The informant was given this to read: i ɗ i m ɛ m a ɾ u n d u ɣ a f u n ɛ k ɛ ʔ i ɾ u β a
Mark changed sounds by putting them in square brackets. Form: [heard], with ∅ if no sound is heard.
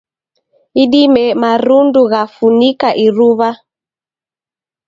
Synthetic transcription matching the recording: i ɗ i m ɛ m a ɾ u n d u ɣ a f u n [i] k [a] ʔ i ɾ u β a

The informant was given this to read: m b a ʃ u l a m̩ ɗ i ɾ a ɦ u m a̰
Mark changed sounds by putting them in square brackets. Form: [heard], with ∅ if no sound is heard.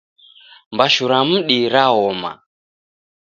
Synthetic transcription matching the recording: m b a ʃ u [ɾ] a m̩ ɗ i ɾ a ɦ [ɔ] m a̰

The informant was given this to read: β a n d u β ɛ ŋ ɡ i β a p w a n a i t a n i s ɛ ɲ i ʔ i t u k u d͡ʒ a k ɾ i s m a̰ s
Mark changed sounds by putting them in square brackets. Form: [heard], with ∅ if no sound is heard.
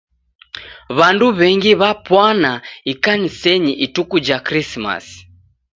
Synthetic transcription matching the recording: β a n d u β ɛ ŋ ɡ i β a p w a n a i [k] a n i s ɛ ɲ i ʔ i t u k u d͡ʒ a k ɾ i s m a̰ s

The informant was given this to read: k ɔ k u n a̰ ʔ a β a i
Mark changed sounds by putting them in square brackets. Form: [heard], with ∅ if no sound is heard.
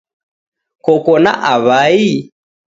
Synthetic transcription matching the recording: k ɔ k [ɔ] n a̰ ʔ a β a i

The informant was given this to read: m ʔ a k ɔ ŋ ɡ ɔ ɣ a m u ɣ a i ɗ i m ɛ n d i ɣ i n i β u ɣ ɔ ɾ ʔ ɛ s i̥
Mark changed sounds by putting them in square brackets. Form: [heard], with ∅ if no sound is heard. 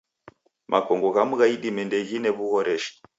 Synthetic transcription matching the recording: m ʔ a k ɔ ŋ ɡ ɔ ɣ a m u ɣ a i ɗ i m ɛ n d [ɛ] ɣ i n [ɛ] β u ɣ ɔ ɾ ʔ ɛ [ʃ] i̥

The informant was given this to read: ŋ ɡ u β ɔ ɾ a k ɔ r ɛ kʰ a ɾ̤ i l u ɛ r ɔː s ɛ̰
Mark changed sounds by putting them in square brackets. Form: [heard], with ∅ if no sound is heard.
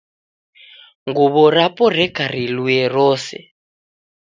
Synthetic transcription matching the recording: ŋ ɡ u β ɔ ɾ a [p] ɔ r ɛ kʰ a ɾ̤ i l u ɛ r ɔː s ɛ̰

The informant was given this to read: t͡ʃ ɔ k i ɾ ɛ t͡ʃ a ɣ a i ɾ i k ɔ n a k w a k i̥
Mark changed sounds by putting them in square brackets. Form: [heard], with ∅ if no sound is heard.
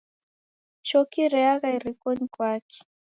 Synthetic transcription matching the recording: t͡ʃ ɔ k i ɾ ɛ [∅] a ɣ a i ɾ i k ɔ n [i] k w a k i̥

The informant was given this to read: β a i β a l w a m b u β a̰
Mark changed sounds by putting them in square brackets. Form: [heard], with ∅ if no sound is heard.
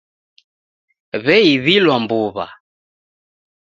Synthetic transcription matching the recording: β [ɛ] i β [i] l w a m b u β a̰

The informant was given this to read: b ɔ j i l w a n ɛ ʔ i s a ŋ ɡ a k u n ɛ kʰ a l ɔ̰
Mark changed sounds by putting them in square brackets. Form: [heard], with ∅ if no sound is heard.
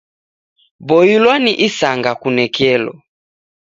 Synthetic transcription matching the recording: b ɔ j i l w a n [i] ʔ i s a ŋ ɡ a k u n ɛ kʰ [ɛ] l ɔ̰

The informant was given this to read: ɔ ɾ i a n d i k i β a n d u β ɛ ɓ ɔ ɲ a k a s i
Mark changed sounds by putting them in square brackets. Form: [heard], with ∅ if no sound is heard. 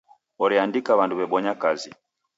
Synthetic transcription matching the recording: ɔ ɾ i a n d i k [a] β a n d u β ɛ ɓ ɔ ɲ a k a [z] i

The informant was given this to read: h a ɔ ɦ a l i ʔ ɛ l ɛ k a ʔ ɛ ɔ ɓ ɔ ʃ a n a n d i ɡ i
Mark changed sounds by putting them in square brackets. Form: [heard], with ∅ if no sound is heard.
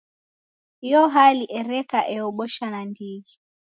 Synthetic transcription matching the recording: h [i] ɔ ɦ a l i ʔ ɛ [ɾ] ɛ k a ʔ ɛ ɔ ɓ ɔ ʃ a n a n d i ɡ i

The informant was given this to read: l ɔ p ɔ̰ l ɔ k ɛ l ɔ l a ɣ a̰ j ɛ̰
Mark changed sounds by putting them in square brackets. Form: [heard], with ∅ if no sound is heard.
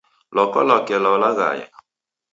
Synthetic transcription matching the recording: l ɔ [k] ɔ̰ l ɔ k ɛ l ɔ l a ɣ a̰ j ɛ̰

